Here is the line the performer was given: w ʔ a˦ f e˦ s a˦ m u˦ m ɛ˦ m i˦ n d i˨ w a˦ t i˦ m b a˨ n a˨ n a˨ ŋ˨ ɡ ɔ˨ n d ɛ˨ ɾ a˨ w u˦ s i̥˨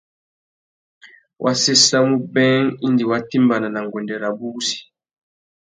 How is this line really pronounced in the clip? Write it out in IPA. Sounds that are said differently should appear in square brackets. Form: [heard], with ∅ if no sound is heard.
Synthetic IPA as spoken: w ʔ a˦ [s] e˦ s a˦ m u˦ [b] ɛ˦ [ŋ] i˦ n d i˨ w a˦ t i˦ m b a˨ n a˨ n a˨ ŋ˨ ɡ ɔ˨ n d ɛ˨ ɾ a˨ [b] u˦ s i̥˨